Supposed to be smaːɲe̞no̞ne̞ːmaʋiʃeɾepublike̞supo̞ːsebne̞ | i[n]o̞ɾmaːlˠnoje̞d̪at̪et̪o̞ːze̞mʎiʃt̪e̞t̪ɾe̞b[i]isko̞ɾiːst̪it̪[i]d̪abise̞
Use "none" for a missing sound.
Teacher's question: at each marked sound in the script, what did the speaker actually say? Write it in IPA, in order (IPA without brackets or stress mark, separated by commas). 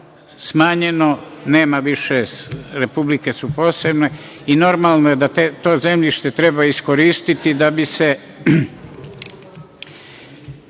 n, a, i